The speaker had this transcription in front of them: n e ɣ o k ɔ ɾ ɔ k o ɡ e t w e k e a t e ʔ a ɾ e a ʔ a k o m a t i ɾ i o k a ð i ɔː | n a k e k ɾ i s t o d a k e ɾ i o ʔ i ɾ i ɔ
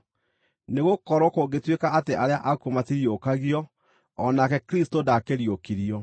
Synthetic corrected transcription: n e ɣ o k ɔ ɾ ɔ k o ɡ e t w e k a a t e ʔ a ɾ e a ʔ a k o m a t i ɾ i o k a ɣ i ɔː | n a k ɛ k ɾ i s t o d a k e ɾ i o k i ɾ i ɔ